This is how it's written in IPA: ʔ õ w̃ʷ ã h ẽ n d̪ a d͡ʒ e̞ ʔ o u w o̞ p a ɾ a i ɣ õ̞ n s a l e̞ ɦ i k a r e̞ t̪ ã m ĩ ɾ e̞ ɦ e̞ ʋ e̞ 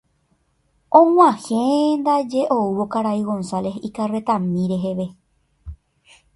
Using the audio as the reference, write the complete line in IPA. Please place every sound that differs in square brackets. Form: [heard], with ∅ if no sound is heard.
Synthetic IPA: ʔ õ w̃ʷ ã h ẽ n d̪ a d͡ʒ e̞ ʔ o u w o̞ [k] a ɾ a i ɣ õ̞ n s a l e̞ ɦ i k a r e̞ t̪ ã m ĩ ɾ e̞ ɦ e̞ ʋ e̞